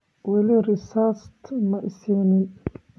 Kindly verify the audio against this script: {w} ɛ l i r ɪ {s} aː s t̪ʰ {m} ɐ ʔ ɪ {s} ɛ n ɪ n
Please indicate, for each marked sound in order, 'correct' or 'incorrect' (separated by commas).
correct, correct, correct, correct